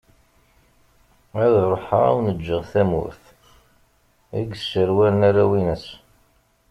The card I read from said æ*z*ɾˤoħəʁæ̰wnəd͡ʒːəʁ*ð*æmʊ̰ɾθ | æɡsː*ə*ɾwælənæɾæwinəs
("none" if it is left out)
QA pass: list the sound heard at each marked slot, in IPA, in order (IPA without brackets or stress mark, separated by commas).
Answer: ð, θ, ə